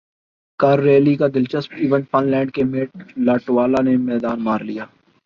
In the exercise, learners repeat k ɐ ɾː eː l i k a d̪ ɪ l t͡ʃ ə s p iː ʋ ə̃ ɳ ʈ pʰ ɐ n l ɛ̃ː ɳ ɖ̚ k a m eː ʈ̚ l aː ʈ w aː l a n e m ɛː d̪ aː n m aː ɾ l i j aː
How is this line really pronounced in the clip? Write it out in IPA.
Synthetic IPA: k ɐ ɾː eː l i k a d̪ ɪ l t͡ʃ ə s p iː ʋ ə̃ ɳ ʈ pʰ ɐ n l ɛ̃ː ɳ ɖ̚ k e m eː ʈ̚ l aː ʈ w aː l a n e m ɛː d̪ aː n m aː ɾ l i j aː